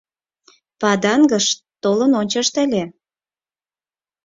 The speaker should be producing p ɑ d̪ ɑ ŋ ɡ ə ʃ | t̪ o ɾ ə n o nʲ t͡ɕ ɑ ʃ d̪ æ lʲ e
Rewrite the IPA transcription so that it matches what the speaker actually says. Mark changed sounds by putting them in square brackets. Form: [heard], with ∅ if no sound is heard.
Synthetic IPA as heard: p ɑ d̪ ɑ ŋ ɡ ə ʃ | t̪ o [l] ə n o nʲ t͡ɕ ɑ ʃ [t̪] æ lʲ e